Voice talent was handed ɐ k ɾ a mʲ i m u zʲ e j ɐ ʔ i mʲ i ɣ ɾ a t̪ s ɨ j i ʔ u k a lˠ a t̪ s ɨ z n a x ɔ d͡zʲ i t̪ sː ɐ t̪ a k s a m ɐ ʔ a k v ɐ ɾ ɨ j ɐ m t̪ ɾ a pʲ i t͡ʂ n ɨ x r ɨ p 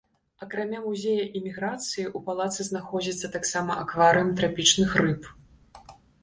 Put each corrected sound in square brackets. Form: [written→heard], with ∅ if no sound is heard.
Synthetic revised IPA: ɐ k ɾ a mʲ [i→a] m u zʲ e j ɐ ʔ i mʲ i ɣ ɾ a t̪ s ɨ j i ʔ u [k→p] a lˠ a t̪ s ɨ z n a x ɔ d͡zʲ i t̪ sː ɐ t̪ a k s a m ɐ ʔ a k v [ɐ→a] ɾ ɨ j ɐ m t̪ ɾ a pʲ i t͡ʂ n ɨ x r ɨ p